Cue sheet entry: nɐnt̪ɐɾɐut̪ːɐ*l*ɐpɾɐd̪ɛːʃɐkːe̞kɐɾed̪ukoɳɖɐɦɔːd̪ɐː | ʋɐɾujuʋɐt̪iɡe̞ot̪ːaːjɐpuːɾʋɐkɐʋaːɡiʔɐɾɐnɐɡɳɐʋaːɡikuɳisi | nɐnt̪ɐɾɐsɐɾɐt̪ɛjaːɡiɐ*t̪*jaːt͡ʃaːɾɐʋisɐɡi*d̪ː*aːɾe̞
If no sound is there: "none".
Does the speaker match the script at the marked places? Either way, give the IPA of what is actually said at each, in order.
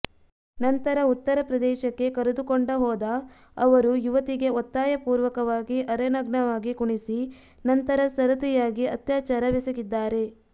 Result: ɾ, t̪, d̪ː

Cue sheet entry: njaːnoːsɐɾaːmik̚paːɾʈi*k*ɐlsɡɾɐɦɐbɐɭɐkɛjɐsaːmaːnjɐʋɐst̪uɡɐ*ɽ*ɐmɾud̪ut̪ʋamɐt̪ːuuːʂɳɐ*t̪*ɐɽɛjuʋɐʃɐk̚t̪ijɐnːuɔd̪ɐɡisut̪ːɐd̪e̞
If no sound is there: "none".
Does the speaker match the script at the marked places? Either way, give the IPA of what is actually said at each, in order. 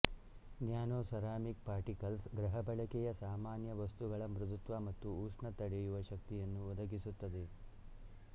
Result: k, ɭ, t̪

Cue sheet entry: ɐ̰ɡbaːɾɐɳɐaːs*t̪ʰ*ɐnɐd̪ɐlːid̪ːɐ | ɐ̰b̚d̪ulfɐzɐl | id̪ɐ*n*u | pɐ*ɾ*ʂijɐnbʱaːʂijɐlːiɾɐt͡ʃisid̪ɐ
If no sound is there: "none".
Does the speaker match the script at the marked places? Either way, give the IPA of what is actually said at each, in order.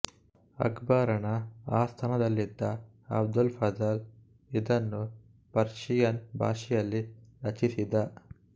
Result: t̪ʰ, nː, ɾ

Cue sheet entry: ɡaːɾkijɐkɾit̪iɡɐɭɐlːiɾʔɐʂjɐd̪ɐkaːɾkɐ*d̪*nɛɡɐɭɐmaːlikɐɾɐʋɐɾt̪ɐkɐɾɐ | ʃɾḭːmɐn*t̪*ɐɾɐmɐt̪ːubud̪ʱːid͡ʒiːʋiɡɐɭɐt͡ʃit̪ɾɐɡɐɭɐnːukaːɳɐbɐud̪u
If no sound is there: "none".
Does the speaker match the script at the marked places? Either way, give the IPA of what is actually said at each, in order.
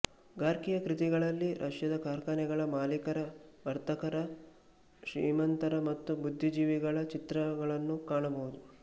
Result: none, t̪

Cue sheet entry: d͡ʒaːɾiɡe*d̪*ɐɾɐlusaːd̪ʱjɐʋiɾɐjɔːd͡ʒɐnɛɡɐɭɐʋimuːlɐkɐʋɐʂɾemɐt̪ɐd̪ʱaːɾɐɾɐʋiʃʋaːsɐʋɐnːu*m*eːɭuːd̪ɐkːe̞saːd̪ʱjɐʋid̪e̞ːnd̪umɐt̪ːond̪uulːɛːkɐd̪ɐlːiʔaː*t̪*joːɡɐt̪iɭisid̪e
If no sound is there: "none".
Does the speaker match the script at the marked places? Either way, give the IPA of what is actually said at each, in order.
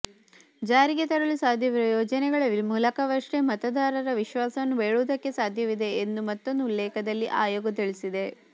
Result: t̪, b, none

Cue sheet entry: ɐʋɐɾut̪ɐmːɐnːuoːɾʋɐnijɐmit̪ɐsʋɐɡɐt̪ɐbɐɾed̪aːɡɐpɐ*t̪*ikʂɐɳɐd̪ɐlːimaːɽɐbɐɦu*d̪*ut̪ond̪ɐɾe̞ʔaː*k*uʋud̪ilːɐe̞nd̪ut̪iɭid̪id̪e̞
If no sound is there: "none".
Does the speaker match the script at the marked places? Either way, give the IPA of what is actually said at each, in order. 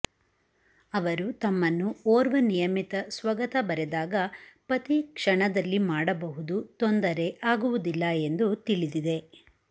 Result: t̪, d̪, ɡ

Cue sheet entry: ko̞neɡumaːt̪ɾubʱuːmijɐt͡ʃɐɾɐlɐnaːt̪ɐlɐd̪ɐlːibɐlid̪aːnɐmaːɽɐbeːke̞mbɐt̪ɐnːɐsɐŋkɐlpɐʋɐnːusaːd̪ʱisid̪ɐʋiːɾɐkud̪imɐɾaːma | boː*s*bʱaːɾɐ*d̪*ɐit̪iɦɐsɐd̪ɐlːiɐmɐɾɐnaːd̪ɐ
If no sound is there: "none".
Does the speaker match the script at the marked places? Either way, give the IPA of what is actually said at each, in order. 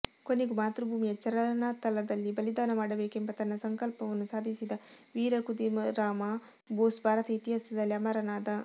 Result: s, t̪

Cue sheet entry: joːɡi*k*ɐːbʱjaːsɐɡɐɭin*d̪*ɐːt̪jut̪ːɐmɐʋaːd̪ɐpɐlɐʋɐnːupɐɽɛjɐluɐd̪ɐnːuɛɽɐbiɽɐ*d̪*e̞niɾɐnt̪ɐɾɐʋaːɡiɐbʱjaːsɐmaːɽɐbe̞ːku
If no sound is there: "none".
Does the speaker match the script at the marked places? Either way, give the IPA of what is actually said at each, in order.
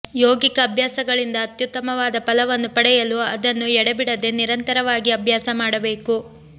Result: k, d̪, d̪

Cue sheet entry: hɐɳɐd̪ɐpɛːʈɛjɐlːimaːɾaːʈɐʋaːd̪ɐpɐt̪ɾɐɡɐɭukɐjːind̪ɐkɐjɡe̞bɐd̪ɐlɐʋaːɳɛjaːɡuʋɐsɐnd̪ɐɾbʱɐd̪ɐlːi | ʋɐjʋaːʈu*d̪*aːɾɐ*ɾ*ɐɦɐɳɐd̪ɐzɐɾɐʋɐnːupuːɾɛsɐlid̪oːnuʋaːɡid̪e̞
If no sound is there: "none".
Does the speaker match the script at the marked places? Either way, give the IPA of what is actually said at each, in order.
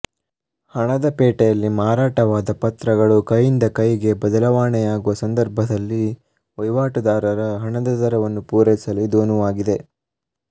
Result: d̪, ɾ

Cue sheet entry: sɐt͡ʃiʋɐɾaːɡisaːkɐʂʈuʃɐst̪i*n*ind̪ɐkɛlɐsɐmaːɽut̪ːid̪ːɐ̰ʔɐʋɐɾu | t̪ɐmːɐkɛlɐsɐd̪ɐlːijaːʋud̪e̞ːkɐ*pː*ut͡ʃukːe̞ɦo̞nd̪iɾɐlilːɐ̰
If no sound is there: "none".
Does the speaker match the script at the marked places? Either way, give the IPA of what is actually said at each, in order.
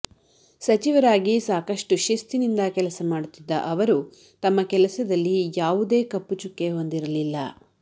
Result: n, pː

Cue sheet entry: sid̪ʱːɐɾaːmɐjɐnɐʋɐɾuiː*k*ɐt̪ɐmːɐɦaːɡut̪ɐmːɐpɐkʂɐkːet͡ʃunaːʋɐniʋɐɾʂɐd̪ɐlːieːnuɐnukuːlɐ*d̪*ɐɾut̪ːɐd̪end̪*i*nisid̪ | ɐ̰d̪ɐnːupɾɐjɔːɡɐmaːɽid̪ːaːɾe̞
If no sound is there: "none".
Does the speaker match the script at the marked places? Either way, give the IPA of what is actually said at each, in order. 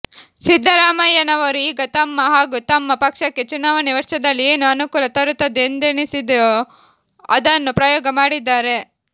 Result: ɡ, t̪, e

